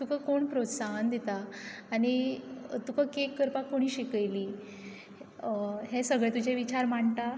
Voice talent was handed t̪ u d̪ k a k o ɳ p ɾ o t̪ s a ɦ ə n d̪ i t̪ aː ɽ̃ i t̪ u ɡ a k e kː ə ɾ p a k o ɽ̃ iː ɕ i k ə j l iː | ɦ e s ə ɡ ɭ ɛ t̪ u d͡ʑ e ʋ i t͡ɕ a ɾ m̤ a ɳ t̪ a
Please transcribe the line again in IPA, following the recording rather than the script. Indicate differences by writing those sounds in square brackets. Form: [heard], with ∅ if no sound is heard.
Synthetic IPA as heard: t̪ u [∅] k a k o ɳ p ɾ o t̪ s a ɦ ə n d̪ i t̪ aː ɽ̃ i t̪ u [k] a k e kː ə ɾ p a k o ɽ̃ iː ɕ i k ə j l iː | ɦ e s ə ɡ ɭ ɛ t̪ u d͡ʑ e ʋ i t͡ɕ a ɾ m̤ a ɳ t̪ a